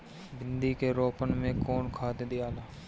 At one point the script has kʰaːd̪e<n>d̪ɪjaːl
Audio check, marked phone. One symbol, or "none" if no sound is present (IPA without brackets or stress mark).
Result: none